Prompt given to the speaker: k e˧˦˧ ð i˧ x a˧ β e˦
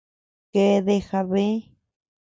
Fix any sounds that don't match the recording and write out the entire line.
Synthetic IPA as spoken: k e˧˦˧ ð e˧ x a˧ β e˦